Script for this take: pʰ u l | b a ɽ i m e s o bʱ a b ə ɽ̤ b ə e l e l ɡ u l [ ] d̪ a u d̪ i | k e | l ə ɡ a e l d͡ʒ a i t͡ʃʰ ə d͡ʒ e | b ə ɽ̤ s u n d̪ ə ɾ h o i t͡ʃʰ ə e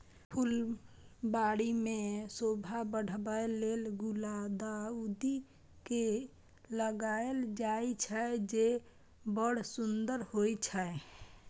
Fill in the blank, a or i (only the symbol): a